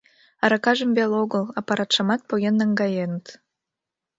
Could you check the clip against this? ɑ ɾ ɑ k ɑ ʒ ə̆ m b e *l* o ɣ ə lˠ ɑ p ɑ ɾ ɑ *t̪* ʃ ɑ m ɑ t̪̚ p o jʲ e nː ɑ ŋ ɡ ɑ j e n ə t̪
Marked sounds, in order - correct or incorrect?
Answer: correct, correct

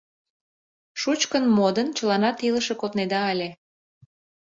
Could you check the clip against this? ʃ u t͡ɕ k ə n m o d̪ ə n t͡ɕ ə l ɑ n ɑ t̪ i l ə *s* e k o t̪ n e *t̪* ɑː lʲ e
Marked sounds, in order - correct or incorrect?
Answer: incorrect: ʃ, incorrect: d̪

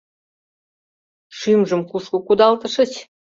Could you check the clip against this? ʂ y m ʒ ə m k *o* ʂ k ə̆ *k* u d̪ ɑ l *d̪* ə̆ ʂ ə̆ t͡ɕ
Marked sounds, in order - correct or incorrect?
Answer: incorrect: u, correct, incorrect: t̪

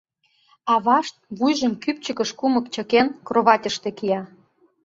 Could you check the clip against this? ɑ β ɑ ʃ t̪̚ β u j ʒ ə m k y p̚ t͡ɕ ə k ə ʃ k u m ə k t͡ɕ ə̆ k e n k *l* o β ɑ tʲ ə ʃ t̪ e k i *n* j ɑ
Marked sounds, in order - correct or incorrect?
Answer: incorrect: r, incorrect: none

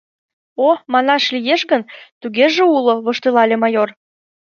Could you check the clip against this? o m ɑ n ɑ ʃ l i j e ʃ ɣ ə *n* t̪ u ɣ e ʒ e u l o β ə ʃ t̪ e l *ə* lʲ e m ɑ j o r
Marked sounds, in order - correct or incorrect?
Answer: correct, incorrect: ɑ

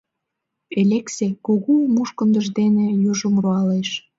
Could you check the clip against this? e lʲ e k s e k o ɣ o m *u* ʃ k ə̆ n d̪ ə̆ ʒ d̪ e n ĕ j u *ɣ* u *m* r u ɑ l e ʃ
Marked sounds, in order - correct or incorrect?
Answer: correct, incorrect: ʒ, correct

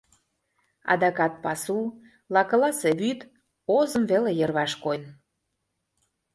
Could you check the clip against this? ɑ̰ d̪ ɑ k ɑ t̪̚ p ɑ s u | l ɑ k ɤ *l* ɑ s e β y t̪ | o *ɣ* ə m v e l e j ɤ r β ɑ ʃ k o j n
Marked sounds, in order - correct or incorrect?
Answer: correct, incorrect: z

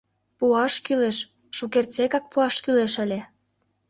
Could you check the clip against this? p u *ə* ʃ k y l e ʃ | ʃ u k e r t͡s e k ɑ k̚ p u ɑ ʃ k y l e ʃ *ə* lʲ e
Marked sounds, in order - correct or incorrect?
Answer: incorrect: ɑ, correct

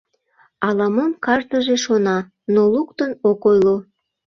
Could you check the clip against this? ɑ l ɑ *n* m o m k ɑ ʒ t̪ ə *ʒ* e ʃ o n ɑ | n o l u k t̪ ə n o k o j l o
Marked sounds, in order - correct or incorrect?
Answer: incorrect: none, correct

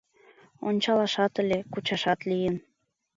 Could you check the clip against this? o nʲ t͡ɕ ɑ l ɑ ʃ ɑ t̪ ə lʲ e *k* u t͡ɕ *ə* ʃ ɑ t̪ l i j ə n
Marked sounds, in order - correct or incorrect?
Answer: correct, incorrect: ɑ

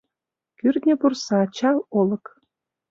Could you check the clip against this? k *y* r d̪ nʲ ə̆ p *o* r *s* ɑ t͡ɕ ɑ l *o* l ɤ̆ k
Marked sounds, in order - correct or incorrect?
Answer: correct, incorrect: u, correct, correct

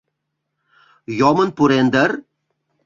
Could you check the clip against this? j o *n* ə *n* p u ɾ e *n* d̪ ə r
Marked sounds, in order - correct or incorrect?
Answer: incorrect: m, correct, correct

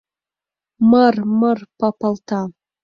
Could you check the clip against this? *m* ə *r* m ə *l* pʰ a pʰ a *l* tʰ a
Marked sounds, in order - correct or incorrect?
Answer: correct, correct, incorrect: r, correct

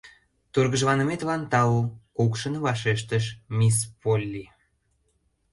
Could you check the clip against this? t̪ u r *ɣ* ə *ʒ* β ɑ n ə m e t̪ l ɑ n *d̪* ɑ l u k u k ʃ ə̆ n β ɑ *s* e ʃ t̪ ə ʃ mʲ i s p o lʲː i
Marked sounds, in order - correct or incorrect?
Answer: correct, correct, incorrect: t̪, incorrect: ʃ

